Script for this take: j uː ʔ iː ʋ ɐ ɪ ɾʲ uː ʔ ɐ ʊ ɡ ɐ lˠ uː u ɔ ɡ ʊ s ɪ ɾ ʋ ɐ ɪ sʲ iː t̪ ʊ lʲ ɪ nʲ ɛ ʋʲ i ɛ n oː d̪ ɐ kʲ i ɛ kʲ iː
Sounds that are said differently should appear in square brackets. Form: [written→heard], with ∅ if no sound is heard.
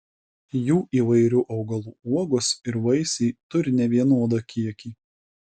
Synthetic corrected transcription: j uː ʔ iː ʋ ɐ ɪ ɾʲ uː ʔ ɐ ʊ ɡ ɐ lˠ uː u ɔ ɡ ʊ s ɪ ɾ ʋ ɐ ɪ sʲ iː t̪ ʊ [lʲ→ɾʲ] ɪ nʲ ɛ ʋʲ i ɛ n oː d̪ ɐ kʲ i ɛ kʲ iː